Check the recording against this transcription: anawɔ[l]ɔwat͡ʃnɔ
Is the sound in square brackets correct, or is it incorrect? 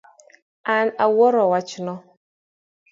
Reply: incorrect: ɾ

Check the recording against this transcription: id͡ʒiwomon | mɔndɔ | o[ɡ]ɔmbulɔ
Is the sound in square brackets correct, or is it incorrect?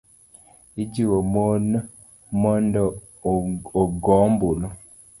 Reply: correct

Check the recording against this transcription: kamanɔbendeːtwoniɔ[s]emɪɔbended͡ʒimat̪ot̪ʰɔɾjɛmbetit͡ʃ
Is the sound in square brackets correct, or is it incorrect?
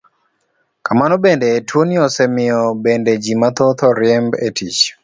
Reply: correct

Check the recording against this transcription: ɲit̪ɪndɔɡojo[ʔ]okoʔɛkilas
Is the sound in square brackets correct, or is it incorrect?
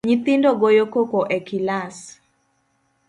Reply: incorrect: k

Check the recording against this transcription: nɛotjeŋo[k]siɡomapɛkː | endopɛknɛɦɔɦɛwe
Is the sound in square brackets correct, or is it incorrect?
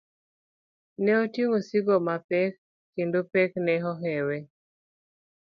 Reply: incorrect: none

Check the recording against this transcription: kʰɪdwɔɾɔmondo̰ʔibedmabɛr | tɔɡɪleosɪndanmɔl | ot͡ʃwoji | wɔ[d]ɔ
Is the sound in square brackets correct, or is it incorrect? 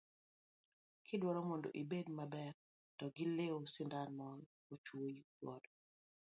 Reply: correct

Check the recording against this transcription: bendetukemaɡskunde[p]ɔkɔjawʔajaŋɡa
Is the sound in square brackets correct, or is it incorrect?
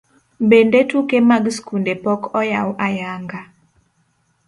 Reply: correct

